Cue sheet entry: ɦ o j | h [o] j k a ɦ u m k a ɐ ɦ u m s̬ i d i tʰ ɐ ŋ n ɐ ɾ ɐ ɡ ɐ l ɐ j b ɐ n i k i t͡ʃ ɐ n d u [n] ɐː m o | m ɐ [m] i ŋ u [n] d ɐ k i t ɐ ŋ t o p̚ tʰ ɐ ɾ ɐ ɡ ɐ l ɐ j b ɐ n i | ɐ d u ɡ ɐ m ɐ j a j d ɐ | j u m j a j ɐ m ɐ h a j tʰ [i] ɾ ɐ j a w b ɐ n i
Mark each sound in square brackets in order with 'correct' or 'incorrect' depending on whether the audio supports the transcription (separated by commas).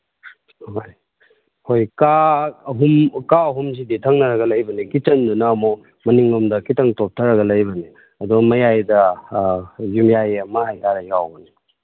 correct, correct, incorrect, incorrect, incorrect